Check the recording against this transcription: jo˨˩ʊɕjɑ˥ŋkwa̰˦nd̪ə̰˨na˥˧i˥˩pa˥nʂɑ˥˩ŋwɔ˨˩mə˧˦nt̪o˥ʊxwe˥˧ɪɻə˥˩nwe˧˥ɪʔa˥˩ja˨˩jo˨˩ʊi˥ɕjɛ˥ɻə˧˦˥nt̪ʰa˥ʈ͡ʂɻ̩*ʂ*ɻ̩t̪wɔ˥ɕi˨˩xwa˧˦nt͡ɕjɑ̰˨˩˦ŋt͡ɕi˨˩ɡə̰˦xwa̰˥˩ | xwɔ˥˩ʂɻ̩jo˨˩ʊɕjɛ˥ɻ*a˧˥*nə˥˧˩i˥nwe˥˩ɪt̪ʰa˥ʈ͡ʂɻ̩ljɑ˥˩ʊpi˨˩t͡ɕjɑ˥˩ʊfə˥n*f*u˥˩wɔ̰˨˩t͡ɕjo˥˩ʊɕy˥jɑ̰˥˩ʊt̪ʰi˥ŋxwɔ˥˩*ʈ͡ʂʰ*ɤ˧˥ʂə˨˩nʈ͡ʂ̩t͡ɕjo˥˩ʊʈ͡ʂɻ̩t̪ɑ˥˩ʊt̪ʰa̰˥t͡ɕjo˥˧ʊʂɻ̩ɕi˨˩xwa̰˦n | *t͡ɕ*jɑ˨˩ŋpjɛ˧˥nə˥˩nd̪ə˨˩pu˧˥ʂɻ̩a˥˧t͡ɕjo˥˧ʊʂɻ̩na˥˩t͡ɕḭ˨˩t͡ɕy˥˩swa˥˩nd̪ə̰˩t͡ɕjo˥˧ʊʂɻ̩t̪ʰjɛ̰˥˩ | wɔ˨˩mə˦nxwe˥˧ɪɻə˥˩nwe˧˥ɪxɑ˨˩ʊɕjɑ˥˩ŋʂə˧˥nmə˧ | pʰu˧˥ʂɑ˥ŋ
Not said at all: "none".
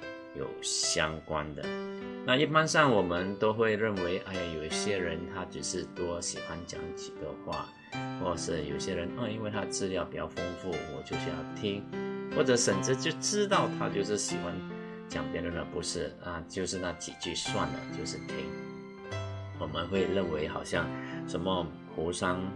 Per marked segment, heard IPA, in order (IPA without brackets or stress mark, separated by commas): ʂ, ə˧˥, f, ʈ͡ʂ, t͡ɕ